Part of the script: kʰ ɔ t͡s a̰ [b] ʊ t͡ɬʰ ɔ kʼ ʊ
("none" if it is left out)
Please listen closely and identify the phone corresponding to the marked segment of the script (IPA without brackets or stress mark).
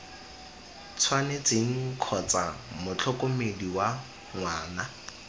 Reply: m